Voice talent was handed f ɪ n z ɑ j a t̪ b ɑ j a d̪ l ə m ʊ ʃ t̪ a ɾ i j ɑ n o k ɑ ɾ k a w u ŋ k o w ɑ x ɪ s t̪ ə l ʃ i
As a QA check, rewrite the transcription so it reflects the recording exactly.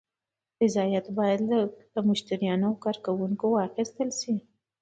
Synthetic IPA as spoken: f ɪ z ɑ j a t̪ b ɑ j a d̪ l ə m ʊ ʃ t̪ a ɾ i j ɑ n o k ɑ ɾ k a w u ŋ k o w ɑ x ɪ s t̪ ə l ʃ i

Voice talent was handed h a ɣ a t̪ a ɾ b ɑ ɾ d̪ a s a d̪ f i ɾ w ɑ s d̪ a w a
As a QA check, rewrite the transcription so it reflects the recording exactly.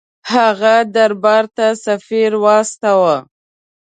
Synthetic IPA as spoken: h a ɣ a d̪ a ɾ b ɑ ɾ t̪ a s a f i ɾ w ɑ s t̪ a w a

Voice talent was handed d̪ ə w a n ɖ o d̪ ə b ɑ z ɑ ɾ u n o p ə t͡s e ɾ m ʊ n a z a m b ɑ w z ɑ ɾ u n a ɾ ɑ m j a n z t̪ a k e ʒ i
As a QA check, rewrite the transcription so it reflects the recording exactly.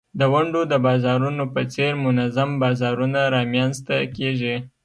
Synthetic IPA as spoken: d̪ ə w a ɳ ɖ o d̪ ə b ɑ z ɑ ɾ u n o p ə t͡s e ɾ m ʊ n a z a m b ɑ z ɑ ɾ u n a ɾ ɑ m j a n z t̪ a k e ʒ i

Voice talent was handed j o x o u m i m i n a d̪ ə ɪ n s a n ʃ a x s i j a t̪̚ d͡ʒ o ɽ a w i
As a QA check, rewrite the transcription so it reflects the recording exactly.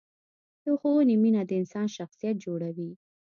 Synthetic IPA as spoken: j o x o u n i m i n a d̪ ə ɪ n s ɑ n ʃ a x s i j a t̪̚ d͡ʒ o ɽ a w i

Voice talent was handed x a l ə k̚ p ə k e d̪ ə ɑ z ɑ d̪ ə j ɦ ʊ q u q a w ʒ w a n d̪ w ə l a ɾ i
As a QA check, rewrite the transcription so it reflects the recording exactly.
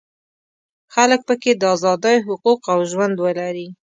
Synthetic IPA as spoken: x a l ə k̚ p ə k e d̪ ə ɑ z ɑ d̪ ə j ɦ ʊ q u q a w ʒ w a n d̪ w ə l a ɾ i

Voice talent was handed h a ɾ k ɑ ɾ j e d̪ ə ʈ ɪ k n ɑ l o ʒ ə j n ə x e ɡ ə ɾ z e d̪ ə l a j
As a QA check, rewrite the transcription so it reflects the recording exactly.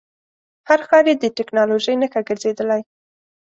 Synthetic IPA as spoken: h a ɾ x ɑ ɾ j e d̪ ə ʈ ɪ k n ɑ l o ʒ ə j n ə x a ɡ ə ɾ z e d̪ ə l a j

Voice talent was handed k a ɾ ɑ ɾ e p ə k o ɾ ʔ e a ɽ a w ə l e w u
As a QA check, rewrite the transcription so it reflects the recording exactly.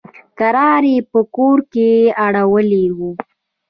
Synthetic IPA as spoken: k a ɾ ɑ ɾ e p ə k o ɾ k e a ɽ a w ə l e w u

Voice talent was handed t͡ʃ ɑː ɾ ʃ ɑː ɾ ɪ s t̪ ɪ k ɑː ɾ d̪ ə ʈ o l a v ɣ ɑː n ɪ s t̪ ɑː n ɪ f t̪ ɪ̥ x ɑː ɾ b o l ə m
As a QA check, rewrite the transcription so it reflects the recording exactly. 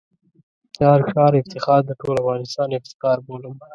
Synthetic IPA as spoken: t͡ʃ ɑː ɾ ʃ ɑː ɾ ɪ f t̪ ɪ x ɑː ɾ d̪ ə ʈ o l a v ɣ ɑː n ɪ s t̪ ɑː n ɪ f t̪ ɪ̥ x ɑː ɾ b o l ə m

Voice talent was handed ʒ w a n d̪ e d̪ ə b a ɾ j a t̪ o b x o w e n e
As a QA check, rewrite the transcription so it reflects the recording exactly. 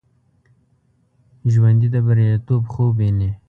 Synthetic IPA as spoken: ʒ w a n d̪ i d̪ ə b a ɾ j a t̪ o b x o b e n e

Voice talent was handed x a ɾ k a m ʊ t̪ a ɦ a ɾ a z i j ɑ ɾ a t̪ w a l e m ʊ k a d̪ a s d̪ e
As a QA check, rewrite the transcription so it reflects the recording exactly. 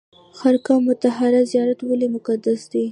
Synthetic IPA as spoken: x a ɾ k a m ʊ t̪ a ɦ a ɾ a z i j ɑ ɾ a t̪ w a l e m ʊ k a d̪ a s d̪ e

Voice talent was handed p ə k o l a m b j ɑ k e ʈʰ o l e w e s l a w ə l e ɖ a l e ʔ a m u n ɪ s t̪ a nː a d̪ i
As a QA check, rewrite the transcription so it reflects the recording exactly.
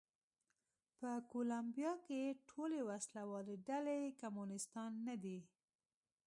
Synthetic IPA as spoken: p ə k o l a m b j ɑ k e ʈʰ o l e w a s l a w ɑ l e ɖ a l e k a m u n ɪ s t̪ ɑ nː a d̪ i

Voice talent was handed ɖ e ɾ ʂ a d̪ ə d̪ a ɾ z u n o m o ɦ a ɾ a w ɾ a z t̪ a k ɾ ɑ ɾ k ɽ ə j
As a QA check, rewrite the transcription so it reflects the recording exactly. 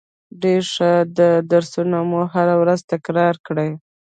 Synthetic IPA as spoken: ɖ e ɾ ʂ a d̪ ə d̪ a ɾ s u n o m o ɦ a ɾ a w ɾ a z t̪ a k ɾ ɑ ɾ k ɽ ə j

